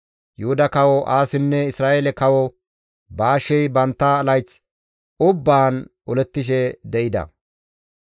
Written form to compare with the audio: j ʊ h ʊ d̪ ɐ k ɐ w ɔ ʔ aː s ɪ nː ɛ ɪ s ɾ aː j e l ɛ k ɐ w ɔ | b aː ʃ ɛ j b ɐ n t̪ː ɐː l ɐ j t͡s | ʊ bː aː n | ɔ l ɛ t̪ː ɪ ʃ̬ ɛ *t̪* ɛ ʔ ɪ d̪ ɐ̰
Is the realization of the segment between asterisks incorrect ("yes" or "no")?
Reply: yes